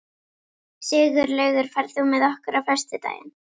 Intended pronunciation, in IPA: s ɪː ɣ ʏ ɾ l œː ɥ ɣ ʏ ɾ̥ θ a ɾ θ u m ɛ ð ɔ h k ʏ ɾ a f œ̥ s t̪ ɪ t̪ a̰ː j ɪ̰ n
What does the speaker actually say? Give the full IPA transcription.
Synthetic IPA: s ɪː ɣ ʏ ɾ l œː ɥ ɣ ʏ ɾ̥ f a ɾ θ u m ɛ ð ɔ h k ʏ ɾ a f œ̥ s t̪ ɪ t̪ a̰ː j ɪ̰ n